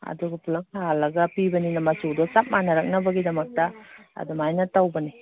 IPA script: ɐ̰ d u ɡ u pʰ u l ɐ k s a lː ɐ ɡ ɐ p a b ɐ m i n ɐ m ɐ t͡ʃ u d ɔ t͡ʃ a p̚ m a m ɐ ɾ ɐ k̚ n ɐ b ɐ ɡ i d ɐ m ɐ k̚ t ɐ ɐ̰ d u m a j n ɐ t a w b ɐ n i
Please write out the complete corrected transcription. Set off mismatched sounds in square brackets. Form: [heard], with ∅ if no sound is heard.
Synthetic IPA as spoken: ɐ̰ d u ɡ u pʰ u l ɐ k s a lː ɐ ɡ ɐ p [i] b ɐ [n] i n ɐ m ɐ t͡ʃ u d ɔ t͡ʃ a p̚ m a [n] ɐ ɾ ɐ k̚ n ɐ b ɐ ɡ i d ɐ m ɐ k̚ t ɐ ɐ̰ d u m a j n ɐ t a w b ɐ n i

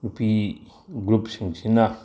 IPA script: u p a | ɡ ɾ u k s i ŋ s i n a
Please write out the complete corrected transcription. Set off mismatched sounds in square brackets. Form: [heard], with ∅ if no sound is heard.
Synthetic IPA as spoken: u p [i] | ɡ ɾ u [p] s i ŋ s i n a

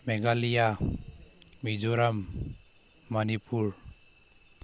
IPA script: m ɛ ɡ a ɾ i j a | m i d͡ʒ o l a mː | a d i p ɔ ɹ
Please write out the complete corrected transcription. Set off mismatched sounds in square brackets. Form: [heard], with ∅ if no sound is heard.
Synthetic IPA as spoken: m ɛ ɡ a [l] i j a | m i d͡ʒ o [ɾ] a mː | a [n] i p [u] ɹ

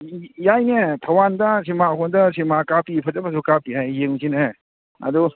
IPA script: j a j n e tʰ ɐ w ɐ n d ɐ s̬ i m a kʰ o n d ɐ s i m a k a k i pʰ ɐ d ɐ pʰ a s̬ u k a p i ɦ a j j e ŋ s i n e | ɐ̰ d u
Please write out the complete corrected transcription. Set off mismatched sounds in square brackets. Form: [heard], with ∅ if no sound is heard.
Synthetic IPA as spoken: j a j n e tʰ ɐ w [a] n d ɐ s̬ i m a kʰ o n d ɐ s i m a k a [p] i pʰ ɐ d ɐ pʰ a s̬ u k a p i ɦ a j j e ŋ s i n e | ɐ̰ d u

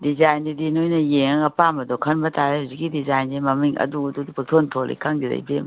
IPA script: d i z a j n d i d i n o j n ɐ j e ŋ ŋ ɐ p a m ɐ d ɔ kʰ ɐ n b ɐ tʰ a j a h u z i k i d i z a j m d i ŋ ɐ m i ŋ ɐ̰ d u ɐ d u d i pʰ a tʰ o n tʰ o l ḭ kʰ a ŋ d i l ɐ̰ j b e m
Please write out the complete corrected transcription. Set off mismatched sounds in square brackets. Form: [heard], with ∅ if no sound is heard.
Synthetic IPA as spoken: d i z a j n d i d i n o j n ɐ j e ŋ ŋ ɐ p a m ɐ d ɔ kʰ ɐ n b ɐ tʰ a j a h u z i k i d i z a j [n] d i [m] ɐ m i ŋ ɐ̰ d u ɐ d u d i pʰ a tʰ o n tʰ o l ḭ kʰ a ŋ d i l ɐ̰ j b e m

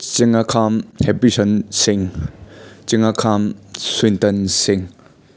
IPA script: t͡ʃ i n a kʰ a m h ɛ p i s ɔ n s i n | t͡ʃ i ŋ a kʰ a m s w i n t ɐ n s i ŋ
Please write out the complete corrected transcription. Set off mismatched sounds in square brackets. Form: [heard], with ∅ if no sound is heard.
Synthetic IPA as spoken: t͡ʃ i [ŋ] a kʰ a m h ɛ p i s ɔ n s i [ŋ] | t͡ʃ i ŋ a kʰ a m s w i n t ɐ n s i ŋ

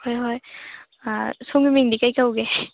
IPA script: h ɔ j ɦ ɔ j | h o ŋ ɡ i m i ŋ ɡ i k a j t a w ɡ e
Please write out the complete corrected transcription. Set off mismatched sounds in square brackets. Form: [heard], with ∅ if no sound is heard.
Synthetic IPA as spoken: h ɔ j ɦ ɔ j | [s] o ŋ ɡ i m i ŋ [d] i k a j [k] a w ɡ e

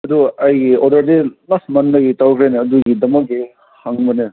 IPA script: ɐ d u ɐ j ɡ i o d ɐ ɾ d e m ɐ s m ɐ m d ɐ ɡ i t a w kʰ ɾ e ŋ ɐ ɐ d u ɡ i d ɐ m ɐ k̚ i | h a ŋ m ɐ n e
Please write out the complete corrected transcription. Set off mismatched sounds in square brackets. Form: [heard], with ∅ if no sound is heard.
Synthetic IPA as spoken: ɐ d u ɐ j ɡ i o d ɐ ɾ d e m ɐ s m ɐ [n] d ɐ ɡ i t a w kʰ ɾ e [n] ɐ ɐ d u ɡ i d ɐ m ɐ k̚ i | h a ŋ [b] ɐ n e

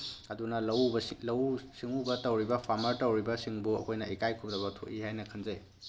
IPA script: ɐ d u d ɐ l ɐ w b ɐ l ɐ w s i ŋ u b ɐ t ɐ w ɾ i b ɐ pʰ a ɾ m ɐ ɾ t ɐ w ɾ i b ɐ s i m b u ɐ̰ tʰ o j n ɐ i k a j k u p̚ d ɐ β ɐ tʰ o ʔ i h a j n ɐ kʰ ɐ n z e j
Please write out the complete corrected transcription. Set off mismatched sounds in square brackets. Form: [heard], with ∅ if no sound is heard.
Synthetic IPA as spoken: ɐ d u [n] ɐ l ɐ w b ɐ l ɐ w s i ŋ u b ɐ t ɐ w ɾ i b ɐ pʰ a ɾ m ɐ ɾ t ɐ w ɾ i b ɐ s i [ŋ] b u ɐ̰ [kʰ] o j n ɐ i k a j [kʰ] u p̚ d ɐ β ɐ tʰ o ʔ i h a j n ɐ kʰ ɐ n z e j

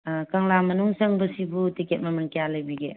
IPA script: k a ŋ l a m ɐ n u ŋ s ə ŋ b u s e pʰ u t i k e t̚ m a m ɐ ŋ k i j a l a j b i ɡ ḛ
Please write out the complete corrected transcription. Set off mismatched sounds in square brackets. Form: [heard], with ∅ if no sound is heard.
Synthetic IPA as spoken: k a ŋ l a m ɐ n u ŋ s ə ŋ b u s [i] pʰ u t i k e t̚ m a m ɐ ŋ k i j a l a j b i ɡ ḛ

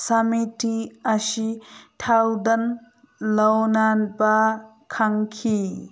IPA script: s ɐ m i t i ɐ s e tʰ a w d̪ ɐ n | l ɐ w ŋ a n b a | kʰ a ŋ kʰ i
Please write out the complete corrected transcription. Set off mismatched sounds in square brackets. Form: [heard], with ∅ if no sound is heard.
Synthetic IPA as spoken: s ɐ m i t i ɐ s [i] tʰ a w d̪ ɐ n | l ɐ w [n] a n b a | kʰ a ŋ kʰ i

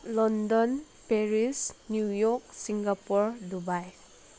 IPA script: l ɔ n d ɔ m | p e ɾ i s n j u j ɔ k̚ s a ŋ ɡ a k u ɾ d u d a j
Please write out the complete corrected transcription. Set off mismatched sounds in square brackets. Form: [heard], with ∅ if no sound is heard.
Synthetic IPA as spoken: l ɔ n d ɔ [n] | p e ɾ i s n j u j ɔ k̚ s [i] ŋ ɡ a [p] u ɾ d u [b] a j

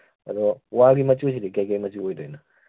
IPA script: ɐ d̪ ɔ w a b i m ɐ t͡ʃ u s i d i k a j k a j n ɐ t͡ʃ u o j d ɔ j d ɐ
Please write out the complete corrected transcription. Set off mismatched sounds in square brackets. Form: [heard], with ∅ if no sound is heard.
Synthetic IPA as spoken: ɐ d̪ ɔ w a [ɡ] i m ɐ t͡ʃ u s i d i k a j k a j [m] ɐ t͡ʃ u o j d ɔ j [n] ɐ

